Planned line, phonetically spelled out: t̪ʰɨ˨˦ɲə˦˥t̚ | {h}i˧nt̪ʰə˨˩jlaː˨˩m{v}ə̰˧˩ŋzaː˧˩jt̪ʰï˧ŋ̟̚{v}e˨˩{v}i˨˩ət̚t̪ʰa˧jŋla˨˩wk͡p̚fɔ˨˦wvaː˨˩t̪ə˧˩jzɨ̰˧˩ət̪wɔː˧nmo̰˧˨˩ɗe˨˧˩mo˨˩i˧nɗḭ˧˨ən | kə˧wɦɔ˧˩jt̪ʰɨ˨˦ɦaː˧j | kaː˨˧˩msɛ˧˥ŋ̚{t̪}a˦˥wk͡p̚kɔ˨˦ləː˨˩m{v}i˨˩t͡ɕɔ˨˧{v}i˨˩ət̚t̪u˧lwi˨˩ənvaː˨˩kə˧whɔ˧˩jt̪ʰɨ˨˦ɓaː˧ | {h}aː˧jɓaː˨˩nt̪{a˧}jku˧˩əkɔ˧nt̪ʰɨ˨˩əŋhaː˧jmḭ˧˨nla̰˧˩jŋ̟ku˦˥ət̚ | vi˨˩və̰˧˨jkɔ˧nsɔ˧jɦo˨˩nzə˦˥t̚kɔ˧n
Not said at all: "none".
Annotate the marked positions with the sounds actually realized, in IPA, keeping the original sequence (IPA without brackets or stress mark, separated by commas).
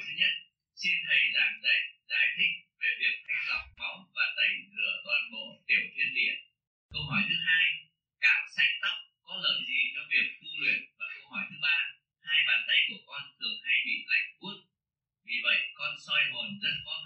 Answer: s, z, v, v, t̪, z, v, h, ə˧